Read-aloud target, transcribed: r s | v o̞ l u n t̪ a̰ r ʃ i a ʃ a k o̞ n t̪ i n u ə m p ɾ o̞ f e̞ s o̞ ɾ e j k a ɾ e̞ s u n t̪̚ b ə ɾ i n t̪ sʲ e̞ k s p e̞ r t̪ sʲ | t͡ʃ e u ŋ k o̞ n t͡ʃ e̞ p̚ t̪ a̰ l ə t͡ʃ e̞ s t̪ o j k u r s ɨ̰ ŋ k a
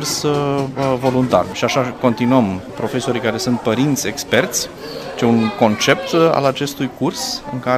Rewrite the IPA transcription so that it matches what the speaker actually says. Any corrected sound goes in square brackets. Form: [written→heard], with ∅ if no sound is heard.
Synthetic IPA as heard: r s | v o̞ l u n t̪ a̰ r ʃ i a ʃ a k o̞ n t̪ i n u ə m p ɾ o̞ f e̞ s o̞ ɾ [e→i] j k a ɾ e̞ s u n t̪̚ [b→p] ə ɾ i n t̪ sʲ e̞ k s p e̞ r t̪ sʲ | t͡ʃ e u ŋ k o̞ n t͡ʃ e̞ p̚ t̪ a̰ l [ə→a] t͡ʃ e̞ s t̪ [o→u] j k u r s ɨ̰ ŋ k a